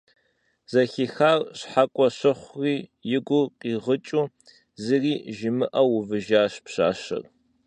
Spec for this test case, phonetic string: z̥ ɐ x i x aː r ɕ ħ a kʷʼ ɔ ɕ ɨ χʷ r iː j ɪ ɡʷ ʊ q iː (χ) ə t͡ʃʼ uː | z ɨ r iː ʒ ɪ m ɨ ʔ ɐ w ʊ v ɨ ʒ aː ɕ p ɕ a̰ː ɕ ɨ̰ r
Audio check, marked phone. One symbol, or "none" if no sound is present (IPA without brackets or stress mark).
ʁ